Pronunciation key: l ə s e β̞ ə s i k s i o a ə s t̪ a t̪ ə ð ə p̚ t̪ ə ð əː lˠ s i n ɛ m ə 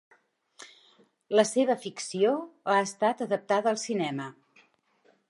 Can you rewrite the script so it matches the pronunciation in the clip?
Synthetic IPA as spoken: l ə s e β̞ ə f i k s i o a ə s t̪ a t̪ ə ð ə p̚ t̪ a ð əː lˠ s i n ɛ m ə